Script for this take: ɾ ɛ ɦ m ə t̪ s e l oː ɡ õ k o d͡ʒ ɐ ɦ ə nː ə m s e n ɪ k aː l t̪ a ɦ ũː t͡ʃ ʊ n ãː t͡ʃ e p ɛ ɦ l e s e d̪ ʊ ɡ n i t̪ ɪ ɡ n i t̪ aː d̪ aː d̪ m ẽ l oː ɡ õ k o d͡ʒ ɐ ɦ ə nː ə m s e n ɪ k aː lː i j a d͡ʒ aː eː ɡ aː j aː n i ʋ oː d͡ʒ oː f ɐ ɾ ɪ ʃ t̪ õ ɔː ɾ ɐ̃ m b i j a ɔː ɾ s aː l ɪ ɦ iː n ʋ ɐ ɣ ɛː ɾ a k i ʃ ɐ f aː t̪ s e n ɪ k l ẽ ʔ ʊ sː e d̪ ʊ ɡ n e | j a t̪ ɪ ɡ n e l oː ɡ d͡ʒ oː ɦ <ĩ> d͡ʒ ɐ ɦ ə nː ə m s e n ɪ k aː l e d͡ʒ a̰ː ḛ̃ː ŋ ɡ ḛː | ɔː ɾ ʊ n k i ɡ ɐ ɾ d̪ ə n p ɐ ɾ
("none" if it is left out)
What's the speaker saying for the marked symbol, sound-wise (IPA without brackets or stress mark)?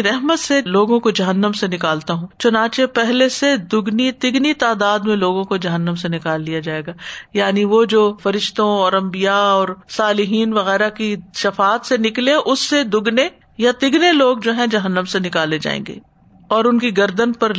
ɛ̃